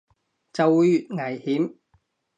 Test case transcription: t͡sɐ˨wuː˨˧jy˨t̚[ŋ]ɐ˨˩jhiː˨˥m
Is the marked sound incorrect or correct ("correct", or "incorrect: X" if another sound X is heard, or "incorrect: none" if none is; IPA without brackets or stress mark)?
correct